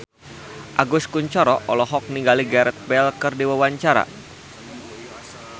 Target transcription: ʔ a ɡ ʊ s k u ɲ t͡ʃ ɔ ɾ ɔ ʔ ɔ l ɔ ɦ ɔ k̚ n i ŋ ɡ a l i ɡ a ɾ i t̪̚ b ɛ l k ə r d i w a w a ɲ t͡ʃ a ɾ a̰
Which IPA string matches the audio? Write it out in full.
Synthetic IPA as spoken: ʔ a ɡ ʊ s k u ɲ t͡ʃ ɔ ɾ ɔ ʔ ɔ l ɔ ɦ ɔ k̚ n i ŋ ɡ a l i ɡ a ɾ ɛ t̪̚ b ɛ l k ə r d i w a w a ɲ t͡ʃ a ɾ a̰